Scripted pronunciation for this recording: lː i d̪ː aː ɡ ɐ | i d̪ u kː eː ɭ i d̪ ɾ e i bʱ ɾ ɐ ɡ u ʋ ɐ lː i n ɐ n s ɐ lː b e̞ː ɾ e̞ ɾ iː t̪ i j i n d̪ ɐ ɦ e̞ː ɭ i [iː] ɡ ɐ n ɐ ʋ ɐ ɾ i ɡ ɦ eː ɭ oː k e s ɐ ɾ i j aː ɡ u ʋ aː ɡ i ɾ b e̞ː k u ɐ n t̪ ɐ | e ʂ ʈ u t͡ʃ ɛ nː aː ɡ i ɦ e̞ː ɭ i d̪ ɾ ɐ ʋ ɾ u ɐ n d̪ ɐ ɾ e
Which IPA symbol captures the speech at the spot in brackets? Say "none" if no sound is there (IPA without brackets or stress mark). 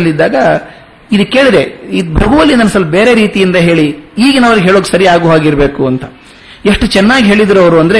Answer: iː